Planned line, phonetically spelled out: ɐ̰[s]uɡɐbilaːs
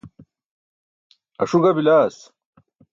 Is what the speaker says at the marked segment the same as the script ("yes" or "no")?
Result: no